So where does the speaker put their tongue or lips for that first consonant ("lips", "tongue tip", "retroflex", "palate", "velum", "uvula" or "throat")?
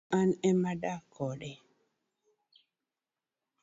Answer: tongue tip